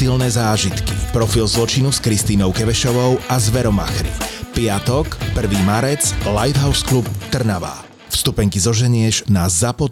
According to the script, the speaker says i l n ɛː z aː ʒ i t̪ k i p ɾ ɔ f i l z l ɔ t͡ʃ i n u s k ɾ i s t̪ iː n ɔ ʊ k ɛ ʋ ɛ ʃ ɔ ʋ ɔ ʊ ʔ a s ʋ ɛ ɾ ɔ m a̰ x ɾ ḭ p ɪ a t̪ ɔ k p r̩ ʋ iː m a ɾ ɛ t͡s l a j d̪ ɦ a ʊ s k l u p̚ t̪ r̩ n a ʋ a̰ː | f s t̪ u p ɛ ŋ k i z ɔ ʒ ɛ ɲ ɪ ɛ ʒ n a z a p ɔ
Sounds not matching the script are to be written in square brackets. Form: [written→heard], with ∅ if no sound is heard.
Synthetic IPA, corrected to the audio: i l n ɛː z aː ʒ i t̪ k i p ɾ ɔ f i l z l ɔ t͡ʃ i n u s k ɾ i s t̪ iː n ɔ ʊ k ɛ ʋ ɛ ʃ ɔ ʋ ɔ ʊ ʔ a [s→z] ʋ ɛ ɾ ɔ m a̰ x ɾ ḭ p ɪ a t̪ ɔ k p r̩ ʋ iː m a ɾ ɛ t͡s l a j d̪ ɦ a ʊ s k l u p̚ t̪ r̩ n a ʋ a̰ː | f s t̪ u p ɛ ŋ k i z ɔ ʒ ɛ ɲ ɪ ɛ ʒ n a z a p ɔ